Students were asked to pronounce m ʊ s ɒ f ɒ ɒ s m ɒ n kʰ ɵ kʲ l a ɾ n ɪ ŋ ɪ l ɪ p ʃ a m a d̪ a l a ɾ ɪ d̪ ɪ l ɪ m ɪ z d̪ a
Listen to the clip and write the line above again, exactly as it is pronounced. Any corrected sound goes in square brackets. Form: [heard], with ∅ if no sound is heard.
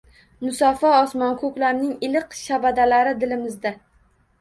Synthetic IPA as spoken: m ʊ s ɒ f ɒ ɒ s m ɒ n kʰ ɵ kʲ l a ɾ n ɪ ŋ ɪ l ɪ [q] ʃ a [b] a d̪ a l a ɾ ɪ d̪ ɪ l ɪ m ɪ z d̪ a